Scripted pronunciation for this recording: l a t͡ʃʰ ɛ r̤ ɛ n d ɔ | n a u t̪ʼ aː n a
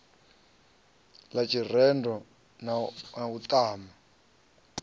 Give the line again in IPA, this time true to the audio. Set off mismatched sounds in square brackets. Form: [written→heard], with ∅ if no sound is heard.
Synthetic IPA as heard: l a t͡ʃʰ [ɛ→i] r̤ ɛ n d ɔ | n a u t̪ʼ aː [n→m] a